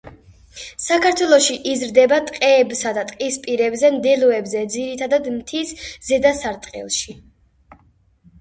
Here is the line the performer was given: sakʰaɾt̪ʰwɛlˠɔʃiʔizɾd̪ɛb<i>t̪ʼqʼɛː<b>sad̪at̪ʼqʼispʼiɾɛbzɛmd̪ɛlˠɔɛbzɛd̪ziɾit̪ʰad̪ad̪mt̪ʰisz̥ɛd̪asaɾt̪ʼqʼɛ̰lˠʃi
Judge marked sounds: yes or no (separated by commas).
no, yes